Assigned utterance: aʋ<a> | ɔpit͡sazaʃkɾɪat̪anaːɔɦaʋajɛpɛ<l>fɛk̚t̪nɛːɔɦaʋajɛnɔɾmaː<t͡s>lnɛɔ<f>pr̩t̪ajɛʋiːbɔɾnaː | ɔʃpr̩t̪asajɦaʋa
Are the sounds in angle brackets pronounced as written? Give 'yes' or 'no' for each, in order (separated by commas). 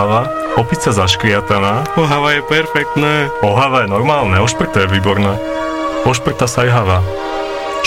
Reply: yes, no, no, no